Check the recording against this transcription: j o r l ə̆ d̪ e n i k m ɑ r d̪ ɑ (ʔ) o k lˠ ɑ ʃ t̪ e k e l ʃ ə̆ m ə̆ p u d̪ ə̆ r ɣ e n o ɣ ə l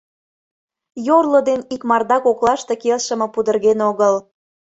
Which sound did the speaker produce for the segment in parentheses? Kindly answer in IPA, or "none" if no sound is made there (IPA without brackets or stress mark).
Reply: k